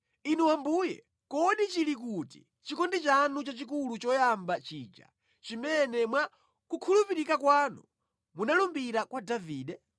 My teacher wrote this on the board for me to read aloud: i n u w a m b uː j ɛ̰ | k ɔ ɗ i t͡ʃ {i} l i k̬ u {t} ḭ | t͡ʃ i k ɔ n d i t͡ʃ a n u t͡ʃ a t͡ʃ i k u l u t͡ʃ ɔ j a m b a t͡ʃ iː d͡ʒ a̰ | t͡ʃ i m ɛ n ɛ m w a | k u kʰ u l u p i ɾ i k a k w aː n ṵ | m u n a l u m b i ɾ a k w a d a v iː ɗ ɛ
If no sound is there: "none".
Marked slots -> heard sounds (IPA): i, t

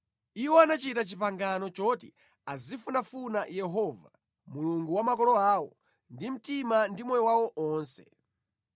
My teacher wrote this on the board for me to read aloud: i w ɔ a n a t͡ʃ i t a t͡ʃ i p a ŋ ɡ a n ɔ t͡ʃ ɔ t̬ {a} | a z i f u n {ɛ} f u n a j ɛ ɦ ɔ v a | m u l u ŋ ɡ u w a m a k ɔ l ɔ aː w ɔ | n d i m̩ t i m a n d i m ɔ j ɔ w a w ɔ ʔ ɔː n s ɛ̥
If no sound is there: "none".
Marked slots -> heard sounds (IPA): i, a

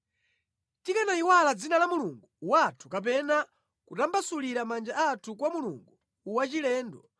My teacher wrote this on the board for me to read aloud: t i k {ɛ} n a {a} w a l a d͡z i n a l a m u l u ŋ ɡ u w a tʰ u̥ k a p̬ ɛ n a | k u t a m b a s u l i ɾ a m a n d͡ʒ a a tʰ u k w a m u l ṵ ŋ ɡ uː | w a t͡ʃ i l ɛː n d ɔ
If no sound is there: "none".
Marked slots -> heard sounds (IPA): a, i

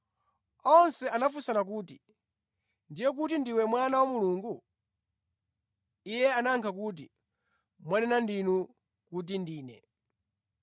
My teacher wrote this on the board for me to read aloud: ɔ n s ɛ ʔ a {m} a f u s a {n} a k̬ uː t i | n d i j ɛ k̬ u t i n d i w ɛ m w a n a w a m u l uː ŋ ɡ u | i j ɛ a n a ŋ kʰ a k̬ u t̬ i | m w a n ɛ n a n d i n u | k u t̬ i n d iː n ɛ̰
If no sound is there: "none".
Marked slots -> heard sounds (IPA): n, n

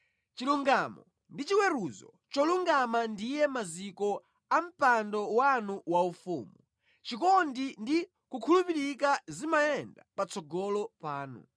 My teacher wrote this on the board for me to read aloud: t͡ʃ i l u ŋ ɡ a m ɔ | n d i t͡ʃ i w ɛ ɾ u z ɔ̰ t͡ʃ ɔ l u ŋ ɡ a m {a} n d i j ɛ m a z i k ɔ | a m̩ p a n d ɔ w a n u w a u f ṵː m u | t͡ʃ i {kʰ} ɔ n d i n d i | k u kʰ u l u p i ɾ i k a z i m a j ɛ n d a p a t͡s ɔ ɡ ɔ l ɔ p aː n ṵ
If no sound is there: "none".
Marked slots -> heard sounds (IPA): a, k

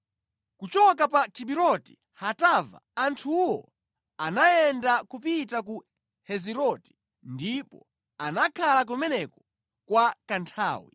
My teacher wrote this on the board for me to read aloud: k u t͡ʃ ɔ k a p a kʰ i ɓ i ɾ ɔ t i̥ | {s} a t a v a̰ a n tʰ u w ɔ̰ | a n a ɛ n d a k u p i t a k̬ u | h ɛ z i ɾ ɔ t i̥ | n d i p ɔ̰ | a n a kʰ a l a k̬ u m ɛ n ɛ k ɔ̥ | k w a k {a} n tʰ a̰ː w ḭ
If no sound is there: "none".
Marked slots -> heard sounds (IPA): h, a

